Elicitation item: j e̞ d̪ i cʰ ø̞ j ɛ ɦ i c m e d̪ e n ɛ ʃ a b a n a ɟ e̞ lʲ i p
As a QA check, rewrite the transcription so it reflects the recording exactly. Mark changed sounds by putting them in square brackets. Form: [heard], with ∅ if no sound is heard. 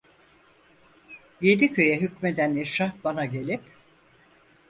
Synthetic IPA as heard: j e̞ d̪ i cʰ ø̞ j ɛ ɦ [y] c m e d̪ [æ] n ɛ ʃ a b a n a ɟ e̞ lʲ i p